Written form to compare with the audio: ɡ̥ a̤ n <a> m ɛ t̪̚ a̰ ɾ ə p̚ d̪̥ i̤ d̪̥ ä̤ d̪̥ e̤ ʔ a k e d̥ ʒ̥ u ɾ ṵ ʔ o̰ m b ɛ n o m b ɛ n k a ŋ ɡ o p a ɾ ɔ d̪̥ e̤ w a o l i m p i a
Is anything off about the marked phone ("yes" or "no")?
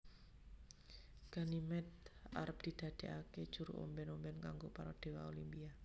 yes